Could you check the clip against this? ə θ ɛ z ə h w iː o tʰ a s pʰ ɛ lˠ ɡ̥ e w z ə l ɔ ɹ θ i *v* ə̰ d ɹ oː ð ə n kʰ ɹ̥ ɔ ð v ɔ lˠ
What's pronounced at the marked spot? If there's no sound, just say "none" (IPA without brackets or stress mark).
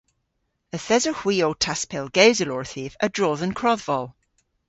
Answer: v